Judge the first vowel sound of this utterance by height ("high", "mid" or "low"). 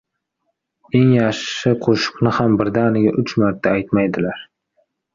mid